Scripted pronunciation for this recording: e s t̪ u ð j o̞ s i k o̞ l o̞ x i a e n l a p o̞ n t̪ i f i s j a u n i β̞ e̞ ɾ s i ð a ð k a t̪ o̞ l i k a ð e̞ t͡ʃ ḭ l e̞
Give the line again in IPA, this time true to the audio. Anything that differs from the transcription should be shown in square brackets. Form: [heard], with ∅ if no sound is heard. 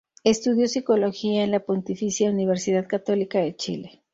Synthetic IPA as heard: e s t̪ u ð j o̞ s i k o̞ l o̞ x i a e n l a p o̞ n t̪ i f i s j a u n i β̞ e̞ ɾ s i ð a ð k a t̪ o̞ l i k a ð e̞ t͡ʃ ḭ l e̞